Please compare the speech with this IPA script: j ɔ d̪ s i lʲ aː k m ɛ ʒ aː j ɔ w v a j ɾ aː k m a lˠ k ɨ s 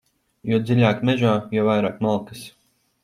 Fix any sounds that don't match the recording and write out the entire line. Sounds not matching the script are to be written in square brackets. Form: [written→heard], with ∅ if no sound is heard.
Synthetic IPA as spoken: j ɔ d̪ [s→z] i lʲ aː k m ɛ ʒ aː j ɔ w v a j ɾ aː k m a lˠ k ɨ s